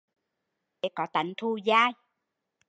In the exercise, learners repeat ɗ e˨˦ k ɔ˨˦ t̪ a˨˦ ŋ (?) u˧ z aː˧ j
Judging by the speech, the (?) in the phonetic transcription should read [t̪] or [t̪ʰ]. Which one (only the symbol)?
t̪ʰ